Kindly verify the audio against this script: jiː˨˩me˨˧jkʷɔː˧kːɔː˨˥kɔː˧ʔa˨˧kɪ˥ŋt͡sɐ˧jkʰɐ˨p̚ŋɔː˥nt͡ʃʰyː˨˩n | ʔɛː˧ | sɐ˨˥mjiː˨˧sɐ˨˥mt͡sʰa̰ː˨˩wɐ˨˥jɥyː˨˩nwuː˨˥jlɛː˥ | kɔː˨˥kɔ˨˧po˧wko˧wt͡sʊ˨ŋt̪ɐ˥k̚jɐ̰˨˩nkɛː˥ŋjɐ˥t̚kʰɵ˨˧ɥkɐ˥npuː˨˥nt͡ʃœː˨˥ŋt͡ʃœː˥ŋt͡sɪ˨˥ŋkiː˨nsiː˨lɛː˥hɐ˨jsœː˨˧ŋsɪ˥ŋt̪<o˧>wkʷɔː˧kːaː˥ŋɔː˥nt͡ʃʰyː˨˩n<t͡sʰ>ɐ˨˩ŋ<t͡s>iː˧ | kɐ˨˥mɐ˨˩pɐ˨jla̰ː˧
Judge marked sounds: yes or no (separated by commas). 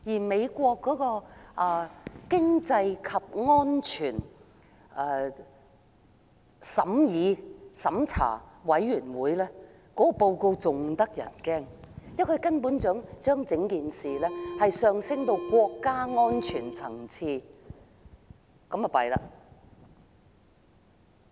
yes, yes, no